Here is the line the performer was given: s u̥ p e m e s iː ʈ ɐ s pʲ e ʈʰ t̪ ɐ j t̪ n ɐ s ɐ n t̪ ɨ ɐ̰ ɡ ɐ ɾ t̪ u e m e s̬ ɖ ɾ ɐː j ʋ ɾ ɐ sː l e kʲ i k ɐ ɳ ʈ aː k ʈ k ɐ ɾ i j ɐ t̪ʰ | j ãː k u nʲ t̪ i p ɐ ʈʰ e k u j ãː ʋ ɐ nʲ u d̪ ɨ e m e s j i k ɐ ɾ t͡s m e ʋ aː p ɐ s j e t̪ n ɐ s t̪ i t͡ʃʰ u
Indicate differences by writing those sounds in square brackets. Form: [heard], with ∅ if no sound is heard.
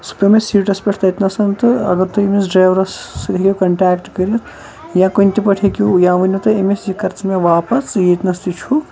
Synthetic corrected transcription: s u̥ p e m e s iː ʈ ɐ s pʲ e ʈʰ t̪ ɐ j t̪ n ɐ s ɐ n t̪ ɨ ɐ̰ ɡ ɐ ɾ t̪ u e m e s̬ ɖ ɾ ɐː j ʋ ɾ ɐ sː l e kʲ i k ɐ ɳ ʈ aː k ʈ k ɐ ɾ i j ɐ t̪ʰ | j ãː k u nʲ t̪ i p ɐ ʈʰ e k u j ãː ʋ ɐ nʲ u [t̪] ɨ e m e s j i k ɐ ɾ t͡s m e ʋ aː p ɐ s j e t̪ n ɐ s t̪ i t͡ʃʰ u